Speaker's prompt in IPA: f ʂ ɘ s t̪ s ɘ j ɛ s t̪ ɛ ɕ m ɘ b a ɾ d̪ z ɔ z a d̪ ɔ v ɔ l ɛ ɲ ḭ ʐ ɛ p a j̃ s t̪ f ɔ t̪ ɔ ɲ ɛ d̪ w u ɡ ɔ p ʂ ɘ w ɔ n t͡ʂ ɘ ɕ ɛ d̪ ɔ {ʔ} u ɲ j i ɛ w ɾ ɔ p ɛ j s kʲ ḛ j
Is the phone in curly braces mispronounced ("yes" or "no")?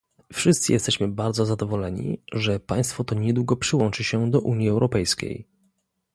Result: no